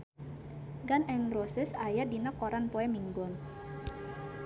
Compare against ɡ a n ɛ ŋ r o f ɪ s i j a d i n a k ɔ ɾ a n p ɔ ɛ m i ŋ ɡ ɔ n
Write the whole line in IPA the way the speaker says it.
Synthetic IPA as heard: ɡ a n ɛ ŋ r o s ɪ s a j a d i n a k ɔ ɾ a n p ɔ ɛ m i ŋ ɡ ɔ n